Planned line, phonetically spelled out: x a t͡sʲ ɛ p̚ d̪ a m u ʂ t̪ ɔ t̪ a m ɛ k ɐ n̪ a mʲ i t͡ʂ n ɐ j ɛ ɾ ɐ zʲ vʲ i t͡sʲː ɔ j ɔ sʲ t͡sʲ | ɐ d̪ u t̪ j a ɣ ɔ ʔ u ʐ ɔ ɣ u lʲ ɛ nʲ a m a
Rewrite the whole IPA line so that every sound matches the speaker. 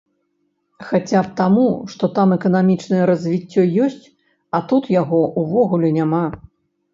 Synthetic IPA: x a t͡sʲ a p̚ t̪ a m u ʂ t̪ ɔ t̪ a m ɛ k ɐ n̪ a mʲ i t͡ʂ n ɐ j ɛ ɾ ɐ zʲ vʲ i t͡sʲː ɔ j ɔ sʲ t͡sʲ | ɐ t̪ u t̪ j a ɣ ɔ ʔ u v ɔ ɣ u lʲ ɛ nʲ a m a